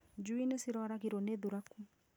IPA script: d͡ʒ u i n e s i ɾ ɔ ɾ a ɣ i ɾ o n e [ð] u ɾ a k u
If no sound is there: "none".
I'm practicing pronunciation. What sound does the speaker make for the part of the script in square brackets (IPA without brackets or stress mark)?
ð